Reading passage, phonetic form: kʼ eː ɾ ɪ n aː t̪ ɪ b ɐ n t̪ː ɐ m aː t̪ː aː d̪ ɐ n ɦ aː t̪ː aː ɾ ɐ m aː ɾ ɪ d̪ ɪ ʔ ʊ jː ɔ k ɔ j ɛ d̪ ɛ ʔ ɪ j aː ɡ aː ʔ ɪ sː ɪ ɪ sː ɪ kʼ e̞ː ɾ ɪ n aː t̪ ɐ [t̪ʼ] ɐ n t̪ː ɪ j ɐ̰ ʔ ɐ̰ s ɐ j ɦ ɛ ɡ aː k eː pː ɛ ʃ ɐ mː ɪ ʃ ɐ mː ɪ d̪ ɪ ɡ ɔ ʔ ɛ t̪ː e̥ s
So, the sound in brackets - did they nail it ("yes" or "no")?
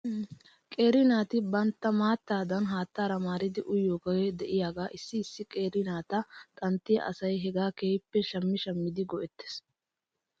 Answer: yes